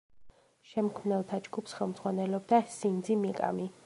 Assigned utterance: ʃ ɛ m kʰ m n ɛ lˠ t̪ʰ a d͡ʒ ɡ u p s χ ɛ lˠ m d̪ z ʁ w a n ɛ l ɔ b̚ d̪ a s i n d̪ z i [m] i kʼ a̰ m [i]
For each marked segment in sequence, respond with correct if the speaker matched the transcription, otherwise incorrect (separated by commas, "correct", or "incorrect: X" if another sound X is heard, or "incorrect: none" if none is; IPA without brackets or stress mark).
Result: correct, correct